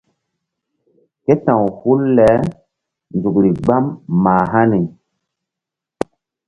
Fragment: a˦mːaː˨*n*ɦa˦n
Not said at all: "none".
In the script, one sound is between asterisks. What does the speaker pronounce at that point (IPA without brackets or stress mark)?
none